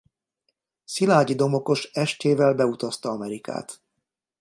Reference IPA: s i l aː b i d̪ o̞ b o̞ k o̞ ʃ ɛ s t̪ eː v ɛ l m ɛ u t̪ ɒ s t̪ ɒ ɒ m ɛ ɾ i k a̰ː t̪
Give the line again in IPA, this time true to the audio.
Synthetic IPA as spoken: s i l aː ɟ i d̪ o̞ m o̞ k o̞ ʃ ɛ ʃ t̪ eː v ɛ l b ɛ u t̪ ɒ s t̪ ɒ ɒ m ɛ ɾ i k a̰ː t̪